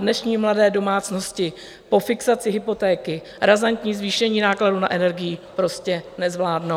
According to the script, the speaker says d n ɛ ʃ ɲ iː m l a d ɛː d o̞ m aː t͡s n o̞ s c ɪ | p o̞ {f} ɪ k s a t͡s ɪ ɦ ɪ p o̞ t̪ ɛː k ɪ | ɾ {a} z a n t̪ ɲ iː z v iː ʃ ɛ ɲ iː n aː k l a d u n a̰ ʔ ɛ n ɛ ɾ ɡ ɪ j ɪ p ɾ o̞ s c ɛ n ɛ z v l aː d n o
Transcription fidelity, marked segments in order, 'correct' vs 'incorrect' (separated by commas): correct, correct